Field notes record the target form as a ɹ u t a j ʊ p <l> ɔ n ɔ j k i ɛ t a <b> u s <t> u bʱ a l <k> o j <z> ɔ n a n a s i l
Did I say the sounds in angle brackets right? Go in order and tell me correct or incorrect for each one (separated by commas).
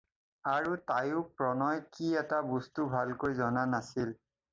incorrect, correct, correct, correct, correct